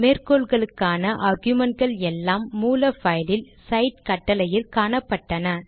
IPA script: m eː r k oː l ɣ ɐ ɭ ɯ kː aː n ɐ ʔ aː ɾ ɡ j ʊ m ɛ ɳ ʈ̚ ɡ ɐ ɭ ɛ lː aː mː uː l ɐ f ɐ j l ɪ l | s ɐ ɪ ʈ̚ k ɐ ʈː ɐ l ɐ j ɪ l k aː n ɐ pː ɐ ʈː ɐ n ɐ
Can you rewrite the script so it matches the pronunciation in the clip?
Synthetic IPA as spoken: m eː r k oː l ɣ ɐ ɭ ɯ kː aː n ɐ ʔ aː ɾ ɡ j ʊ m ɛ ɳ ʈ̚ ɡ ɐ ɭ ɛ lː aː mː uː l ɐ f ɐ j l ɪ l | s ɐ ɪ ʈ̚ k ɐ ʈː ɐ l ɐ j ɪ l k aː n ɐ pː ɐ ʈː ɐ n ɐ